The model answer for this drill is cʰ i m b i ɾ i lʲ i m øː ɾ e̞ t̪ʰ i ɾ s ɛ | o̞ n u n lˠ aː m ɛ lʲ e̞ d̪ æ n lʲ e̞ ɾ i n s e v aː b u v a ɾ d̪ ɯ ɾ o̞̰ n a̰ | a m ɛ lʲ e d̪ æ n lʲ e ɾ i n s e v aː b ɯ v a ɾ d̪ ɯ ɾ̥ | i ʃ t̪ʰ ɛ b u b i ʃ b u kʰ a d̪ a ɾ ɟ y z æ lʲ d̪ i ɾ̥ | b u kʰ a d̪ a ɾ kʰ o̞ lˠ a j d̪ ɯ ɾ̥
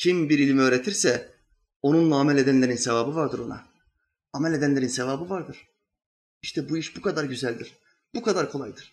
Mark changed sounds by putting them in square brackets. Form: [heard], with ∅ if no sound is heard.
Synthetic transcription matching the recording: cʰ i m b i ɾ i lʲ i m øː ɾ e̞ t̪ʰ i ɾ s ɛ | o̞ n u n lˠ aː m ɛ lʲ e̞ d̪ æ n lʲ e̞ ɾ i n s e v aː b [ɯ] v a ɾ d̪ ɯ ɾ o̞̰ n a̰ | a m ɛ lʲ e d̪ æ n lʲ e ɾ i n s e v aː b ɯ v a ɾ d̪ ɯ ɾ̥ | i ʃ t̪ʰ ɛ b u [∅] i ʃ b u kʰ a d̪ a ɾ ɟ y z æ lʲ d̪ i ɾ̥ | b u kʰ a d̪ a ɾ kʰ o̞ lˠ a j d̪ ɯ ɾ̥